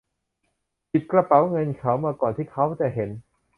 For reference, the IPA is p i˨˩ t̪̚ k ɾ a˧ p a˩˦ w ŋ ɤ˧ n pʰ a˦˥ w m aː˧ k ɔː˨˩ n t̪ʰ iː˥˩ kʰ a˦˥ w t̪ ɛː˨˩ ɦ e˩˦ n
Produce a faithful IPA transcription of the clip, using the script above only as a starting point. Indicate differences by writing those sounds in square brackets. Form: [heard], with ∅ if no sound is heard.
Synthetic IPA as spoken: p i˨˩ t̪̚ k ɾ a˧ p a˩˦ w ŋ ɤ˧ n [kʰ] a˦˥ w m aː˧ k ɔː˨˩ n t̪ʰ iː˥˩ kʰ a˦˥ w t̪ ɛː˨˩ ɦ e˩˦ n